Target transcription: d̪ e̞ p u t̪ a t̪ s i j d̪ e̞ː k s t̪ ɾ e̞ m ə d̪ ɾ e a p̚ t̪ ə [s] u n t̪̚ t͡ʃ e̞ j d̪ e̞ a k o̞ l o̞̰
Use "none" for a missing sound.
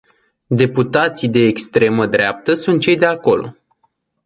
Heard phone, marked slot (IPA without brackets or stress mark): s